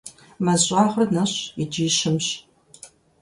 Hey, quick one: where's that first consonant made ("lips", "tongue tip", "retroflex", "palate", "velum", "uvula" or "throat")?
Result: lips